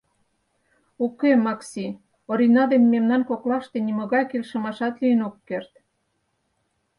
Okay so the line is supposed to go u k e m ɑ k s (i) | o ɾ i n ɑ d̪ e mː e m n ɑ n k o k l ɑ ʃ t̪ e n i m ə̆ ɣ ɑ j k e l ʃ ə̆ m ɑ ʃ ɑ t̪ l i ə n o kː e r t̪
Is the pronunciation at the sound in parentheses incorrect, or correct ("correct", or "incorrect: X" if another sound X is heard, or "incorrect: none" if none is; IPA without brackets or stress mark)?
correct